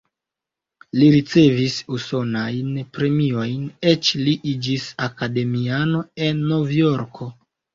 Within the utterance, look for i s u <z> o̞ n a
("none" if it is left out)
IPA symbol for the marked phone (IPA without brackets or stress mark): s